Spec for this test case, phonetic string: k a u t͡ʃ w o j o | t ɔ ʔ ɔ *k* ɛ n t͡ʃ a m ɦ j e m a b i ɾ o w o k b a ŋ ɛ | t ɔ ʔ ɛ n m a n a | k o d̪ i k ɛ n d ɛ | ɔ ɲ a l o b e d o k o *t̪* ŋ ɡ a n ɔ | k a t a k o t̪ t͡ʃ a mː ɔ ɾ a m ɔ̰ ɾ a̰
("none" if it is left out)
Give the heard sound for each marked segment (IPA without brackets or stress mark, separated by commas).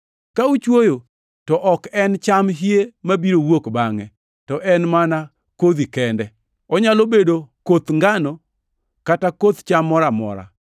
k, t̪